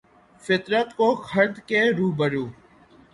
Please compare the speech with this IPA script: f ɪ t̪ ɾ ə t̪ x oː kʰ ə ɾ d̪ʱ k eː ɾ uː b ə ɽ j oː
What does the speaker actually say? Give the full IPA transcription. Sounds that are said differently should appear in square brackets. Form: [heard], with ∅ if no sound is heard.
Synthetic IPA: f ɪ t̪ ɾ ə t̪ [k] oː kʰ ə ɾ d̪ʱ k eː ɾ uː b ə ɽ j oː